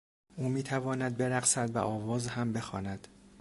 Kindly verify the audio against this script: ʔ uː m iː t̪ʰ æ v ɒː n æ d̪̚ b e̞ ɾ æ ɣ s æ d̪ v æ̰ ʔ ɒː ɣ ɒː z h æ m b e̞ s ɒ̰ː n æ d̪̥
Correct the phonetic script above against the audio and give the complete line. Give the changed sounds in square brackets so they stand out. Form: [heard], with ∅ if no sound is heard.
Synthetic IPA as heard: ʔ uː m iː t̪ʰ æ v ɒː n æ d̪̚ b e̞ ɾ æ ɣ s æ d̪ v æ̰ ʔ ɒː [v] ɒː z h æ m b e̞ [x] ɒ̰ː n æ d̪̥